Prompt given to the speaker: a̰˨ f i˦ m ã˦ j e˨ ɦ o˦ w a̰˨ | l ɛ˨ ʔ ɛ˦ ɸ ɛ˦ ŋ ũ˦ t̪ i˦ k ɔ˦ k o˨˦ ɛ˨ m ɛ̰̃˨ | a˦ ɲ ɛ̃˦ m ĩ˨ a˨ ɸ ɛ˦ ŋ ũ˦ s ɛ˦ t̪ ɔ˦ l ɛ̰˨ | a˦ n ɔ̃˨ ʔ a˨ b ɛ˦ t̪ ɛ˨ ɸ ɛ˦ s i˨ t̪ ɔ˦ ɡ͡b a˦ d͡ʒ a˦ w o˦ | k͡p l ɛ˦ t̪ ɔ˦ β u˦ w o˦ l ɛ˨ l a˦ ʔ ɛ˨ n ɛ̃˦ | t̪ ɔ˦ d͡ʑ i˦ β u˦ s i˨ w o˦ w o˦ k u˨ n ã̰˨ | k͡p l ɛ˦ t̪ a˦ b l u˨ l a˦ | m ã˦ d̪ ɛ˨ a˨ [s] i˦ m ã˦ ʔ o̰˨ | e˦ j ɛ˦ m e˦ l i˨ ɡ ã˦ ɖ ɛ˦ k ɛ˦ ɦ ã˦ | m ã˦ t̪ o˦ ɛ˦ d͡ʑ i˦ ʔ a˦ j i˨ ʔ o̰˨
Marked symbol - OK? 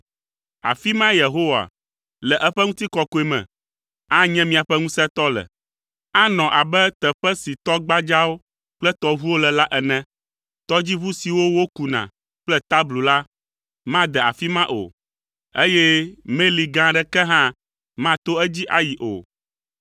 no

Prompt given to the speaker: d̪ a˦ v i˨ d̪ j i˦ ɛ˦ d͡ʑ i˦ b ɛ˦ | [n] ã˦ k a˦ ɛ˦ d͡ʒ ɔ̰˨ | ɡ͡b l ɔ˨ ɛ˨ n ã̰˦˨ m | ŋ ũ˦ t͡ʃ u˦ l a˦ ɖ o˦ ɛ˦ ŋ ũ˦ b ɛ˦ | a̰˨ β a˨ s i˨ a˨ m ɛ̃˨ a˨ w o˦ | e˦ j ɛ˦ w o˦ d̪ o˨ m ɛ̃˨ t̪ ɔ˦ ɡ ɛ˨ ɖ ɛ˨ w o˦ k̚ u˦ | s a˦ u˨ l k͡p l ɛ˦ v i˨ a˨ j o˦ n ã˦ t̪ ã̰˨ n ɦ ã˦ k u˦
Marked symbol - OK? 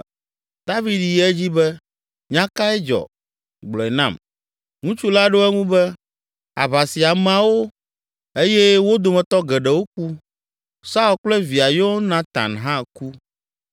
no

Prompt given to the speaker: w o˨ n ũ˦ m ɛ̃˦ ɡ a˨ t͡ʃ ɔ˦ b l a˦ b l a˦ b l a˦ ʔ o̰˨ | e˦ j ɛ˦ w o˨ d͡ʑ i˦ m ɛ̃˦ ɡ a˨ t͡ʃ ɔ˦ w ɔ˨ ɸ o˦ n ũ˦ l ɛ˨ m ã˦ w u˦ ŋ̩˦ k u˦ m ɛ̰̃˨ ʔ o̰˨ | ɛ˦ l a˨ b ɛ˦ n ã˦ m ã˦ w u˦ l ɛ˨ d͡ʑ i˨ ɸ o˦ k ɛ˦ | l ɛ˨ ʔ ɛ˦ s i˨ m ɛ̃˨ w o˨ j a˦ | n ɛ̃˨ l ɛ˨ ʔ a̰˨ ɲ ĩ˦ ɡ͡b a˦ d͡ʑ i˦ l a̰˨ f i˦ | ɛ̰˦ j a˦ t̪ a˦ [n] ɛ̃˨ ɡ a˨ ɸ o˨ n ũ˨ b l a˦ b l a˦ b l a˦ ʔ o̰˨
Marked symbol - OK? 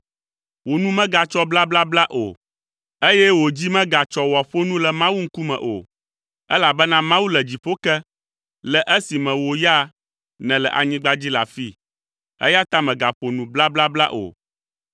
no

